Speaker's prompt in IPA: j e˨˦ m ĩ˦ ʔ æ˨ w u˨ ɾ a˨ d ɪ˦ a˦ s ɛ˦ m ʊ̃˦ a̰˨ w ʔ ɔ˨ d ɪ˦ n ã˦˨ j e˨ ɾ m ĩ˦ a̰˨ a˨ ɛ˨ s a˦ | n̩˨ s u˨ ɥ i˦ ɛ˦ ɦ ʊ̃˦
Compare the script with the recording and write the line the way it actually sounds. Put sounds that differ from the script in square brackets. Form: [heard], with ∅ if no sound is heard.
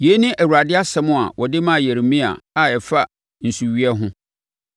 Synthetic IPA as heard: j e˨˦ [n] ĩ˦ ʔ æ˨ w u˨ ɾ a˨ d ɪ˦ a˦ s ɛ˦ m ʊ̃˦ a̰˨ w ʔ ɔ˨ d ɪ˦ [m] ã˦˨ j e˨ ɾ m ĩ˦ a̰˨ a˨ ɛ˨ [f] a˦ | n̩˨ s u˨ ɥ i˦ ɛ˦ ɦ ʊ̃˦